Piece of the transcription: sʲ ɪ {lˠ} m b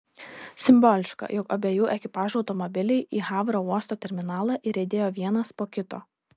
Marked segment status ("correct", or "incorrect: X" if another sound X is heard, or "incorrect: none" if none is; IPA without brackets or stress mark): incorrect: none